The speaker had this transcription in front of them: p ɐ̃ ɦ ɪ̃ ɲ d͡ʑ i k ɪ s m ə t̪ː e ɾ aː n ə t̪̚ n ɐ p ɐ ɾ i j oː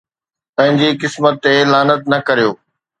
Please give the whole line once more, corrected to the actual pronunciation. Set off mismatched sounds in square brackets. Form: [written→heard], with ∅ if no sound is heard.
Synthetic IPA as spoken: p ɐ̃ ɦ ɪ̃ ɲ d͡ʑ i k ɪ s m ə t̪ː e [ɾ→l] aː n ə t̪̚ n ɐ [p→k] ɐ ɾ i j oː